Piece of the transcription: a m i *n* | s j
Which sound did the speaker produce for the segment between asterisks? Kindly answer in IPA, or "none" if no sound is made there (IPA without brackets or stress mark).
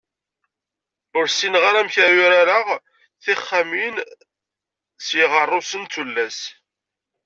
n